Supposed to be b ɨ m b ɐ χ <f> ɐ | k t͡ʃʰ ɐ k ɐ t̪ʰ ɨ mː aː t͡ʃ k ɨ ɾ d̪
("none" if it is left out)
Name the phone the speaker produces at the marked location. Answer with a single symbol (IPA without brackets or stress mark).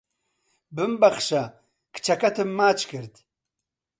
ʃ